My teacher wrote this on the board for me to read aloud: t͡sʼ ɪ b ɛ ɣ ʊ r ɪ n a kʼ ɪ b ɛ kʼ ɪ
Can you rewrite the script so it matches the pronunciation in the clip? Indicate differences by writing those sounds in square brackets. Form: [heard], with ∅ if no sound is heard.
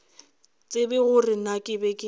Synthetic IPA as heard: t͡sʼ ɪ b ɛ ɣ ʊ r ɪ n a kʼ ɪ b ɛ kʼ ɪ